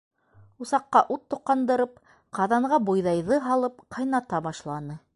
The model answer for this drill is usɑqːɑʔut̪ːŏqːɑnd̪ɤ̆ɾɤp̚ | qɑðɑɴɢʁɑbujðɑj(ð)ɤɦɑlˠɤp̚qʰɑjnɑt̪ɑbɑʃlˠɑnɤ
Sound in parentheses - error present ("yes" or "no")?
no